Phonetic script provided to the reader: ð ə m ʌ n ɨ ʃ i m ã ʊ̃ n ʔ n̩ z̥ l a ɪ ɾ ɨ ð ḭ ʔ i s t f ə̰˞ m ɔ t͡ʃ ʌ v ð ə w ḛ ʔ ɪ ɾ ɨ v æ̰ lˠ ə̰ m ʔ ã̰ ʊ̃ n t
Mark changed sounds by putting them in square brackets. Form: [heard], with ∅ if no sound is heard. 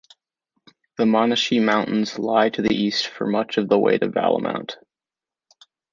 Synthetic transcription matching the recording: ð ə m [ɑ] n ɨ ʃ i m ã ʊ̃ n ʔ n̩ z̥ l a ɪ ɾ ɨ ð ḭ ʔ i s t f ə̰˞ m [ʌ] t͡ʃ ʌ v ð ə w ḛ [∅] ɪ ɾ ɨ v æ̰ lˠ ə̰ m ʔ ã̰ ʊ̃ n t